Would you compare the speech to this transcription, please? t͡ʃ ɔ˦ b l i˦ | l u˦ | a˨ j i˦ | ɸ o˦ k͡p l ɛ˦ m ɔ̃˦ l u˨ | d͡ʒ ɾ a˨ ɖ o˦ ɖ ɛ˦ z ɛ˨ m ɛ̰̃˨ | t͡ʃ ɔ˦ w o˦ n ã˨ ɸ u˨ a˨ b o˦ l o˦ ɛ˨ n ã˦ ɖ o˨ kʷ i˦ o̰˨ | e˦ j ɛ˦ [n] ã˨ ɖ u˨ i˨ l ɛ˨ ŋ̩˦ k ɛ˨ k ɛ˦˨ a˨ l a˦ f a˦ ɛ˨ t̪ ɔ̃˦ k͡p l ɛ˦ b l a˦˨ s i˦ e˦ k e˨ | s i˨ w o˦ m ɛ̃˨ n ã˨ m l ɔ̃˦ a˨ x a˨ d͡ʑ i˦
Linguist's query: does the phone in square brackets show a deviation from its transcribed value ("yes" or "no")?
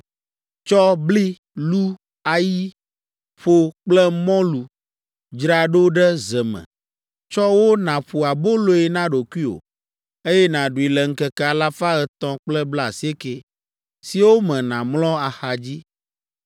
no